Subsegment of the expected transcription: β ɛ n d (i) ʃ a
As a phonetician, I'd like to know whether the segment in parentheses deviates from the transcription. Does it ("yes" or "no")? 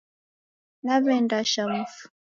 yes